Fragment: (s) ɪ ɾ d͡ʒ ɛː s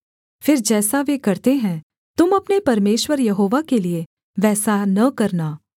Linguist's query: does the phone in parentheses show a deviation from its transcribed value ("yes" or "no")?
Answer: yes